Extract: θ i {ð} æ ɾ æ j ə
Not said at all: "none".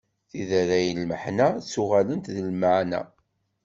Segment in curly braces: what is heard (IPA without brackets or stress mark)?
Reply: ð